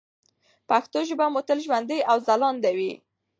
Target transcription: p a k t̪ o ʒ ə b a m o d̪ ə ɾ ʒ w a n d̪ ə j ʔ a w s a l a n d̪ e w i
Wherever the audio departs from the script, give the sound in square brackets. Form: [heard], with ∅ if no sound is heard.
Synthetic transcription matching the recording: p a [x] t̪ o ʒ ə b a m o [t̪] ə [l] ʒ w a n d̪ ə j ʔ a w [z] a l [ɑ] n d̪ [a] w i